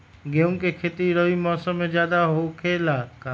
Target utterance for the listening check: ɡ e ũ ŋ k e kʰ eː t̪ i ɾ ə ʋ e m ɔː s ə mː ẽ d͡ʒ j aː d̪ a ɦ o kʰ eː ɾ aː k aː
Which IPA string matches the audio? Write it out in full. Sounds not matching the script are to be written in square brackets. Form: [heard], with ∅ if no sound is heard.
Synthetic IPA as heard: ɡ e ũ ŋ k e kʰ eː t̪ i ɾ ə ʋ [i] m ɔː s ə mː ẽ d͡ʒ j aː d̪ a ɦ o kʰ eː [l] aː k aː